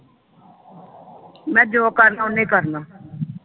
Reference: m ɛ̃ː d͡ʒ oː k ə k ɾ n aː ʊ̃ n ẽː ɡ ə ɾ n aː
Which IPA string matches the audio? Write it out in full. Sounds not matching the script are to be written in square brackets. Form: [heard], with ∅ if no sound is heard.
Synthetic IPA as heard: m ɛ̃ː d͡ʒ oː k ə [∅] ɾ n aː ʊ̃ n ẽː [k] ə ɾ n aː